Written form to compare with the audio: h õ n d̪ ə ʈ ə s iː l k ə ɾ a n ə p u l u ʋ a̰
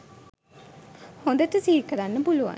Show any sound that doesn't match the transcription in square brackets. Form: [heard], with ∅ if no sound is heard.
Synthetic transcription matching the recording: h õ n d̪ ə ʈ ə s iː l k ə ɾ a [nː] ə p u l u ʋ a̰